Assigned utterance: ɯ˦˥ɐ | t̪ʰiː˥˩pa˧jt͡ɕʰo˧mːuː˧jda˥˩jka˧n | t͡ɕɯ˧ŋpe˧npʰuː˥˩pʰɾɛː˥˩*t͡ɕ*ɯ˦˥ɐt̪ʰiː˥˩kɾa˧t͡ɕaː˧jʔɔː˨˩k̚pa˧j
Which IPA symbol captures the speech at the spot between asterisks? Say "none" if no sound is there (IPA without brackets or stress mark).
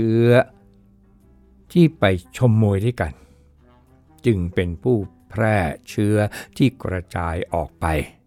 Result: t͡ɕʰ